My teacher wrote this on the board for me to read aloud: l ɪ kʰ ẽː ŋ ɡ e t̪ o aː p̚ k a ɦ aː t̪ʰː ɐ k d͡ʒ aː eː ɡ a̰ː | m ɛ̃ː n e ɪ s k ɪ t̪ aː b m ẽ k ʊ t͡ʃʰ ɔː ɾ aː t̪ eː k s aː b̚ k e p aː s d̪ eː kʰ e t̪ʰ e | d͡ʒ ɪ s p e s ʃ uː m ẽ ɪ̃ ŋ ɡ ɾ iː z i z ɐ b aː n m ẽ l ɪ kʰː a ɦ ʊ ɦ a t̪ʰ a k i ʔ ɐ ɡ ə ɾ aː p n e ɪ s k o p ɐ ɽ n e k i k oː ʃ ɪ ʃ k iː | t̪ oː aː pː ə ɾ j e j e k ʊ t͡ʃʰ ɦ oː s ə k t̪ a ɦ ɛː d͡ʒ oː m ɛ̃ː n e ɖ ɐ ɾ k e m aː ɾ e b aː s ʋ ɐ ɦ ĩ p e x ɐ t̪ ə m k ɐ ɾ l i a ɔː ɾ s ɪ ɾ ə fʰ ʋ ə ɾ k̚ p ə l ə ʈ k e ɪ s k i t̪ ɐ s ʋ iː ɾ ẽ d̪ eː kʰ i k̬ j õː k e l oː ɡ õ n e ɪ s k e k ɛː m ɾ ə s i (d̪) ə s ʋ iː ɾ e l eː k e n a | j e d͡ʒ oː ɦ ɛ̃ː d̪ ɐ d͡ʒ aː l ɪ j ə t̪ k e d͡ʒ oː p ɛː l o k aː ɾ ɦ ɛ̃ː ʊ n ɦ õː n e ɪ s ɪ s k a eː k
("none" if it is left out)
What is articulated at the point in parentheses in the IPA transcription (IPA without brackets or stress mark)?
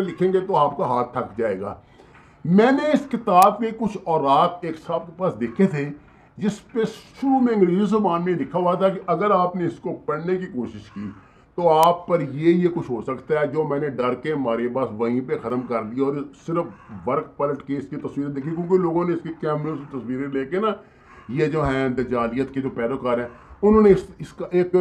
t̪